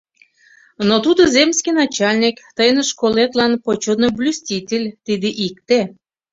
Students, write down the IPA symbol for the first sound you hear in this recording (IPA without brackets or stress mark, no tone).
n